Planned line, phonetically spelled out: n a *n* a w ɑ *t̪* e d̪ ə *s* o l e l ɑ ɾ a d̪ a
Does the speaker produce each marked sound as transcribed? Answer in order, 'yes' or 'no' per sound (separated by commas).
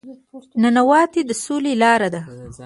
yes, yes, yes